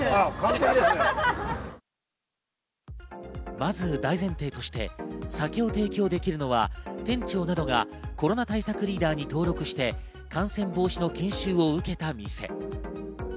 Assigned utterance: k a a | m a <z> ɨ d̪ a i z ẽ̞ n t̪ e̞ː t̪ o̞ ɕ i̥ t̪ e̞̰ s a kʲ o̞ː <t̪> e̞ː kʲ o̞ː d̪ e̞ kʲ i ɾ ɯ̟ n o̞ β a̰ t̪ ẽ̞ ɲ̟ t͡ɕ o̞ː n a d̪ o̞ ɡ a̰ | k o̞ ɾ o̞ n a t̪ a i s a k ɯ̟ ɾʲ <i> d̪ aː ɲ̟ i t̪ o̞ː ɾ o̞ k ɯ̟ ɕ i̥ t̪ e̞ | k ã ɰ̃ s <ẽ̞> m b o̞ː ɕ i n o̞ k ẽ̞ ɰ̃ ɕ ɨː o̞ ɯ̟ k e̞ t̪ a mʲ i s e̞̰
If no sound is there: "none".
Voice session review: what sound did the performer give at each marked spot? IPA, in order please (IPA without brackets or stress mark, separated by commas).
z, t̪, iː, ẽ̞